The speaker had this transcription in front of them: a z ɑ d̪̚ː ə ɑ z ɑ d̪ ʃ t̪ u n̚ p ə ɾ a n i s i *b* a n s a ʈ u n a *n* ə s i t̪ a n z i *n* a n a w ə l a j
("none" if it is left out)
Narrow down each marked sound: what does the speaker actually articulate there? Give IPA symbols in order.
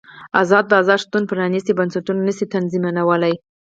b, n, m

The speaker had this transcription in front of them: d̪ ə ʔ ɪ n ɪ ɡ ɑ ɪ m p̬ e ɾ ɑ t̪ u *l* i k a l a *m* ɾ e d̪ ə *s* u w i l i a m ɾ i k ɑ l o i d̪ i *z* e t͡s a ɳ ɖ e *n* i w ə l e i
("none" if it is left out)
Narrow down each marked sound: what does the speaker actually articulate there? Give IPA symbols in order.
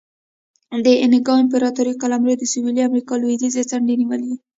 ɾ, m, s, z, n

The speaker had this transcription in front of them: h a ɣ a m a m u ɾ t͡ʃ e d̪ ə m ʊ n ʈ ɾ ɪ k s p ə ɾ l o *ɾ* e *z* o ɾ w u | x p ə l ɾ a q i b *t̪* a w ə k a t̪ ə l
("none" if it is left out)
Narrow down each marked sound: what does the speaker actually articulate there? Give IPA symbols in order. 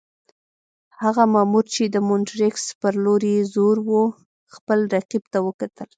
ɾ, z, t̪

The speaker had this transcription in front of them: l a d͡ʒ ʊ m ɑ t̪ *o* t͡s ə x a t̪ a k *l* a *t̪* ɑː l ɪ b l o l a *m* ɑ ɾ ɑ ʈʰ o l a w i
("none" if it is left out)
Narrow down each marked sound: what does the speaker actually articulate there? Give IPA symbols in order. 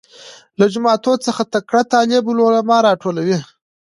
o, ɽ, t̪, m

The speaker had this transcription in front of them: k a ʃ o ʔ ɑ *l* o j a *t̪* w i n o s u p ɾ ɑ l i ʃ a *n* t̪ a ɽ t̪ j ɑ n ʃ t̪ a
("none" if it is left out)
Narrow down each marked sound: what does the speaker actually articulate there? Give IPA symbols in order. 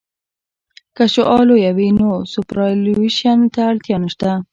l, none, n

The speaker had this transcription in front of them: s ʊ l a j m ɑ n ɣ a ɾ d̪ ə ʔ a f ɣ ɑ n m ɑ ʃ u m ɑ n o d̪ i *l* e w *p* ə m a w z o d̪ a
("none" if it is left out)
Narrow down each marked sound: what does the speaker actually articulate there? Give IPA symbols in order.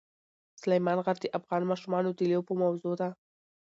l, p

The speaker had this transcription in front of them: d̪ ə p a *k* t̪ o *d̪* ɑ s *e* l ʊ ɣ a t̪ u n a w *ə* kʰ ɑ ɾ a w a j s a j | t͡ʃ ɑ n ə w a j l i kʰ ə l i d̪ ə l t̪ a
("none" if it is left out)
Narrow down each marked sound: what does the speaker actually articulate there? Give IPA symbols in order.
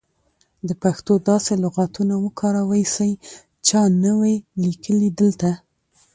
x, d̪, e, ə

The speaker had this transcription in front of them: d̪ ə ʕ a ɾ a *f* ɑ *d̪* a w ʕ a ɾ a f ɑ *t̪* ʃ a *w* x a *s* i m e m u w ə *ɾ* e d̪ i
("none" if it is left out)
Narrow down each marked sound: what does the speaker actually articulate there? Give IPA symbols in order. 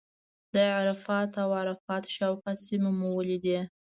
f, t̪, t̪, w, s, l

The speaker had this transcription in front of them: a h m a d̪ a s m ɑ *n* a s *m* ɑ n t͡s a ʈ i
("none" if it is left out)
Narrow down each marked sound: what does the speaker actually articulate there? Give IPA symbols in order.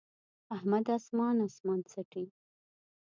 n, m

